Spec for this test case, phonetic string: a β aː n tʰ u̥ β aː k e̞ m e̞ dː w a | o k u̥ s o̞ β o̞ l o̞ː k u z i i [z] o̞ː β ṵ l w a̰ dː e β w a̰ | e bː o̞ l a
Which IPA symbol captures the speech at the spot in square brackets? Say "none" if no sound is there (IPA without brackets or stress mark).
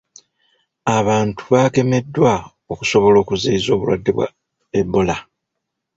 z